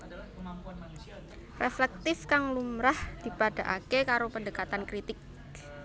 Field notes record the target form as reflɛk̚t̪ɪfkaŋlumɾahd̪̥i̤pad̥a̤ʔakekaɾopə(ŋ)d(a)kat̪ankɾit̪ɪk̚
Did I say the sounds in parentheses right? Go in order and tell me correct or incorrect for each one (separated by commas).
incorrect, incorrect